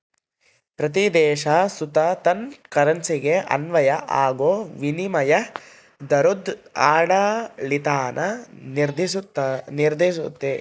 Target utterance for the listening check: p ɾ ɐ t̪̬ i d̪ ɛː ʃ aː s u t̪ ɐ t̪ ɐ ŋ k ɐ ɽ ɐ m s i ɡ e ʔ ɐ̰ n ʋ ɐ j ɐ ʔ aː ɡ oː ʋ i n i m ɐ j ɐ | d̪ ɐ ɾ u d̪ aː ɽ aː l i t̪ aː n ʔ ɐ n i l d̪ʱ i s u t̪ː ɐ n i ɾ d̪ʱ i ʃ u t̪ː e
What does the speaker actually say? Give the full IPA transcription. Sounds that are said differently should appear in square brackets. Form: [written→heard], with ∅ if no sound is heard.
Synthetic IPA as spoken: p ɾ ɐ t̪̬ i d̪ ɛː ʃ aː s u t̪ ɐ t̪ ɐ [ŋ→n] k ɐ [ɽ→ɾ] ɐ [m→n] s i ɡ e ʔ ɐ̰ n ʋ ɐ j ɐ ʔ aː ɡ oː ʋ i n i m ɐ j ɐ | d̪ ɐ ɾ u d̪ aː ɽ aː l i t̪ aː n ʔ ɐ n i [l→ɾ] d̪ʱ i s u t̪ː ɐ n i ɾ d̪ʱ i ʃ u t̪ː e